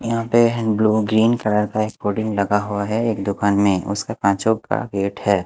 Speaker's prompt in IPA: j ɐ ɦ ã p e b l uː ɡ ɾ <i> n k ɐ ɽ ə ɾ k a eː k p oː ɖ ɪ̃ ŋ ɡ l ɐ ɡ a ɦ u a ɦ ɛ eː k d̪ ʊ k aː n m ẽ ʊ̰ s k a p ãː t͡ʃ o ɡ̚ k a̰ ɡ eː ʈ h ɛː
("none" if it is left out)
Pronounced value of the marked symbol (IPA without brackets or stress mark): iː